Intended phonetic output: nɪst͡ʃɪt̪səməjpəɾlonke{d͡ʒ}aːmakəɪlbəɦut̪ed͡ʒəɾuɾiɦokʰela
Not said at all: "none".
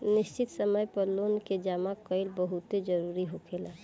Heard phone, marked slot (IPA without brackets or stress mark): d͡ʒ